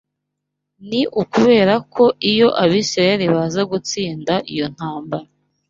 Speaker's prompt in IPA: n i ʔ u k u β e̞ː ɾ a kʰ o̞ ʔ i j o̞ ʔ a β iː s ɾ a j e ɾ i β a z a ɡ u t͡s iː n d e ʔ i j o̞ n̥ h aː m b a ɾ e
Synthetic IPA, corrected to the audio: n i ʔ u k u β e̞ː ɾ a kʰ o̞ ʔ i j o̞ ʔ a β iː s ɾ a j e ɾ i β a z a ɡ u t͡s iː n d a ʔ i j o̞ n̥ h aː m b a ɾ a